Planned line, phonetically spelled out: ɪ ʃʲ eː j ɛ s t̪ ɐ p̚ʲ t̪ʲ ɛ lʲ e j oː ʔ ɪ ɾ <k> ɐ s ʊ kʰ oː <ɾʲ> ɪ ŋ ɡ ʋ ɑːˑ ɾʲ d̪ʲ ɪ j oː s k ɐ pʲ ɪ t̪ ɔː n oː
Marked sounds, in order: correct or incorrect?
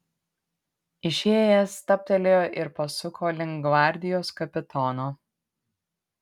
incorrect: p, incorrect: lʲ

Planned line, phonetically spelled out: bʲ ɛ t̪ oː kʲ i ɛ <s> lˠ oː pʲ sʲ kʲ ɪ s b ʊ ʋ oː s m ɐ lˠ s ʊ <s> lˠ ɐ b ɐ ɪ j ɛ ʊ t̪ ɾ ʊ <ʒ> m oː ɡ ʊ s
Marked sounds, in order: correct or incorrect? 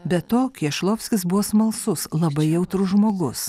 incorrect: ʃ, correct, correct

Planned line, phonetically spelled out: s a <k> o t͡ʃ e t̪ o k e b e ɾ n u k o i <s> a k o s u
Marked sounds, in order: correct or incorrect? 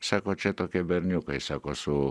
correct, correct

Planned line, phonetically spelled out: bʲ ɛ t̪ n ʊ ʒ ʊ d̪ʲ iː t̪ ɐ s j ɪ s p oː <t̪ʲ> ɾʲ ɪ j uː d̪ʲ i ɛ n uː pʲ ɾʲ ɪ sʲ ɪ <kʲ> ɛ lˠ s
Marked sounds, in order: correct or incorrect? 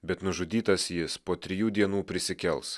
correct, correct

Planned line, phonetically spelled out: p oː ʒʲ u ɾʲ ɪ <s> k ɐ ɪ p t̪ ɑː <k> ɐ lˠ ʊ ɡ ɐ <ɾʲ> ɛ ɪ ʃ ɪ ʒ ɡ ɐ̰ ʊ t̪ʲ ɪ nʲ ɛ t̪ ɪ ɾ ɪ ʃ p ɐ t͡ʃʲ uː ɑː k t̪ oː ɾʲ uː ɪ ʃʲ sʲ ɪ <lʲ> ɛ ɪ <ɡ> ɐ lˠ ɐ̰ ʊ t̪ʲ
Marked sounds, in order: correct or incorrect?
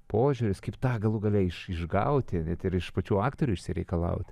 correct, incorrect: ɡ, incorrect: lʲ, incorrect: ɾʲ, incorrect: k

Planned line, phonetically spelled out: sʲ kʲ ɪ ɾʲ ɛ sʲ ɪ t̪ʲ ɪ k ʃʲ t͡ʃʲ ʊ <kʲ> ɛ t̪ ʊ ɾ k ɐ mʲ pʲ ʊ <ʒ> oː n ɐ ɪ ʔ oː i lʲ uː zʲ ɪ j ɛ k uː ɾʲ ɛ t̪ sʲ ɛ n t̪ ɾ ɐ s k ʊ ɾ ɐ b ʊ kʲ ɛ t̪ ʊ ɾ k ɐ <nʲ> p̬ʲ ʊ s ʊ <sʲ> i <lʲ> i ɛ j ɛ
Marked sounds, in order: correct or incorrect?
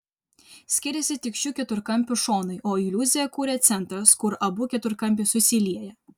correct, incorrect: ʃ, incorrect: mʲ, correct, correct

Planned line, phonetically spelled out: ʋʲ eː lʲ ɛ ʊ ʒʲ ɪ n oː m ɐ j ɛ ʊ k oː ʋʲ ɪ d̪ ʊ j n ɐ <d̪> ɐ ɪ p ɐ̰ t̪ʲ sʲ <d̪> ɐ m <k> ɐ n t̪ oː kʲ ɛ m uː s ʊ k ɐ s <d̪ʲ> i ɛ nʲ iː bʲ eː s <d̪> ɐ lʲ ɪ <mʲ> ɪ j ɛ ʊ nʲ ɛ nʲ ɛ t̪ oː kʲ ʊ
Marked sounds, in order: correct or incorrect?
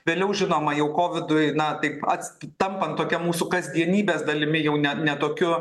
incorrect: t̪, incorrect: t̪, incorrect: p, correct, correct, correct

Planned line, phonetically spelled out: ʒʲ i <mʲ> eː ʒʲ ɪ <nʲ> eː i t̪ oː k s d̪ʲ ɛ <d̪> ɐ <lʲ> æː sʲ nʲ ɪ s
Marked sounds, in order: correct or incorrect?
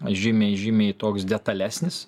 correct, incorrect: mʲ, incorrect: t̪, correct

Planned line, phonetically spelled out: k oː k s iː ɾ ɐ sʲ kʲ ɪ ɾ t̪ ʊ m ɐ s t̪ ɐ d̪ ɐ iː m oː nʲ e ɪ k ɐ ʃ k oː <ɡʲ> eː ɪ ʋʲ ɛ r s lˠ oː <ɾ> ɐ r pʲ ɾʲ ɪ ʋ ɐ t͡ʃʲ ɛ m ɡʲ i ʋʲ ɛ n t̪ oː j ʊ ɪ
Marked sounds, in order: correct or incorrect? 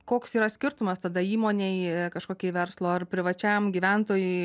incorrect: kʲ, incorrect: none

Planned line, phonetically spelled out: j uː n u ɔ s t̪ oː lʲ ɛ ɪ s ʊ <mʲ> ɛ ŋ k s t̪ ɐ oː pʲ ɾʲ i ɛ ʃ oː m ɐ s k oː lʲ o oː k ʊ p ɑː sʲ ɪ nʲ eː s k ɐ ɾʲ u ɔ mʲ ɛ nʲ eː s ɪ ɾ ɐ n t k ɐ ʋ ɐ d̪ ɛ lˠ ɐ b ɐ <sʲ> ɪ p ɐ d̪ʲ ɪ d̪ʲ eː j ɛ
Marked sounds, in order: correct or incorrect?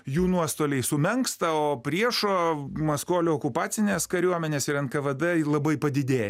correct, incorrect: none

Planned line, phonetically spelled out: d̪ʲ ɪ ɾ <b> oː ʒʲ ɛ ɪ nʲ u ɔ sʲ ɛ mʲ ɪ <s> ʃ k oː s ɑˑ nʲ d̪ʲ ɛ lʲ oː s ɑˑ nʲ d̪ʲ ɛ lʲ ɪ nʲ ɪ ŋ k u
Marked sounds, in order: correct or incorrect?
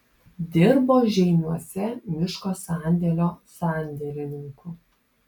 correct, incorrect: none

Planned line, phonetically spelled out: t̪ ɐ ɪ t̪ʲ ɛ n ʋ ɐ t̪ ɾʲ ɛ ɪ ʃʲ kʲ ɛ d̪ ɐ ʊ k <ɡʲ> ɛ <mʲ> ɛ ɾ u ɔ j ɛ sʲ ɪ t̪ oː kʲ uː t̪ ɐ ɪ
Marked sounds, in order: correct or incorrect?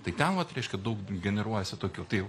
correct, incorrect: nʲ

